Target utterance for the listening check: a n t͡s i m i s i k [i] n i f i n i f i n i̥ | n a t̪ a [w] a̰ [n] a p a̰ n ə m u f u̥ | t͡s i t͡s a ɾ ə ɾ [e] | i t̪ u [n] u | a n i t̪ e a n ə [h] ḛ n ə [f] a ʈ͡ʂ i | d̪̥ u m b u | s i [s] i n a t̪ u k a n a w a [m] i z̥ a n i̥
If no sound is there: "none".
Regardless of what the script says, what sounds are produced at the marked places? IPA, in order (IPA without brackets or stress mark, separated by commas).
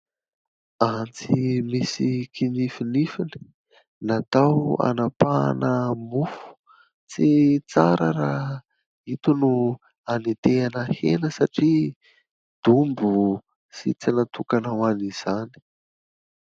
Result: i, w, n, a, n, h, s, t͡s, n